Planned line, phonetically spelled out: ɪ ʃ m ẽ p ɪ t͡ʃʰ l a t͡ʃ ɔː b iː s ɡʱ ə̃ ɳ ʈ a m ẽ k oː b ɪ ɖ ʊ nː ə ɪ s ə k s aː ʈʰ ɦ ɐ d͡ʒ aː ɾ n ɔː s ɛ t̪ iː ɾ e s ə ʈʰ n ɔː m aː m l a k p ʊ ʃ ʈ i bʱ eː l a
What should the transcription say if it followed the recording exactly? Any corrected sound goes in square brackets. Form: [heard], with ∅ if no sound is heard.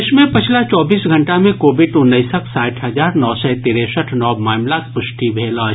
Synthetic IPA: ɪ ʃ m ẽ p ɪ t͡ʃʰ l a t͡ʃ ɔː b iː s ɡʱ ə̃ ɳ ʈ a m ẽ k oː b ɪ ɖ ʊ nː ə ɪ s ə k s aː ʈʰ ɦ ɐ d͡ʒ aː ɾ n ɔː s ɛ t̪ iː ɾ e s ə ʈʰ n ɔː m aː m l a k p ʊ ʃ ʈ i bʱ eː l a